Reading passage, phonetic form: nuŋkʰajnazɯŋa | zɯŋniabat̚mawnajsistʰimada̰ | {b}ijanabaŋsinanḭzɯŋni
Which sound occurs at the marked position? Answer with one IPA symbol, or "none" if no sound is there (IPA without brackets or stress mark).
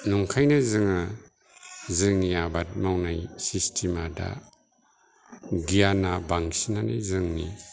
ɡ